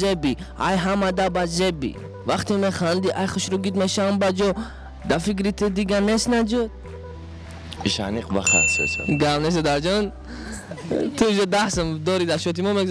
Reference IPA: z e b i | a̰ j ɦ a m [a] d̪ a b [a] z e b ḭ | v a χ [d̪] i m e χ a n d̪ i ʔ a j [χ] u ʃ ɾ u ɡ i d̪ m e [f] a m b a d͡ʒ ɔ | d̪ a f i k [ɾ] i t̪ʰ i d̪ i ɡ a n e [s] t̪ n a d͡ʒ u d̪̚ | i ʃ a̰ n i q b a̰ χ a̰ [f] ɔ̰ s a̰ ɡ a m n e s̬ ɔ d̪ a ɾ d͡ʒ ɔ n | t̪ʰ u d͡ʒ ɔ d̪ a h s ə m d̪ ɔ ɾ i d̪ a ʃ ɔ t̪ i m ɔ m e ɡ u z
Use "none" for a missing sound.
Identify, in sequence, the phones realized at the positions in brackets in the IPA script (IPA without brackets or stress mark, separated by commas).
a, a, t̪, χ, ʃ, ɾ, s, s